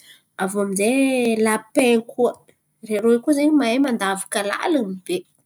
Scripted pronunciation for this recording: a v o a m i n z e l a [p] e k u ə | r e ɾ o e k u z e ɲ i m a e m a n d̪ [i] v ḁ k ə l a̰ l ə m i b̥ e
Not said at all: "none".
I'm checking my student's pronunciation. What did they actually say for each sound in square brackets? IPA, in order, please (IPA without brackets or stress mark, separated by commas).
p, a